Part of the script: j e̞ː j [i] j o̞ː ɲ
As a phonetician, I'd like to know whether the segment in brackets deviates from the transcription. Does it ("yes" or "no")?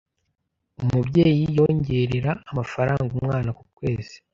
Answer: no